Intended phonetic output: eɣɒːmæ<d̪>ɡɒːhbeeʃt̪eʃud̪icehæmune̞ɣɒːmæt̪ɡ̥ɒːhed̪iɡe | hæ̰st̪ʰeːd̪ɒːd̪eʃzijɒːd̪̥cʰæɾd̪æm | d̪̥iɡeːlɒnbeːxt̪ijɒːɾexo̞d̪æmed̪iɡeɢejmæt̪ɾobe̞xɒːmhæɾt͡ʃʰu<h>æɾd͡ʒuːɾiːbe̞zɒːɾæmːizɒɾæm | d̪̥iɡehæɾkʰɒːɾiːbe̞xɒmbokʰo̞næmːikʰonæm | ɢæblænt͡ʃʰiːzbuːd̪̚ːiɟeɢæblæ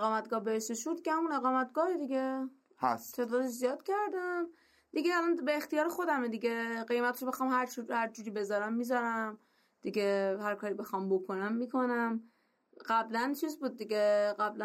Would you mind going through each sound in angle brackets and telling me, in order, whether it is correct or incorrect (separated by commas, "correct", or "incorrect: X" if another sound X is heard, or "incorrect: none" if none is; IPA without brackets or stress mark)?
incorrect: t̪, correct